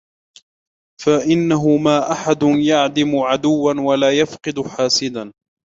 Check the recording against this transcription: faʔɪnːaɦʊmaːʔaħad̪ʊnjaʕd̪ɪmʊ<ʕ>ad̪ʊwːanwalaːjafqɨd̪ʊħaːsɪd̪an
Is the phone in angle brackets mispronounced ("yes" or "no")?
no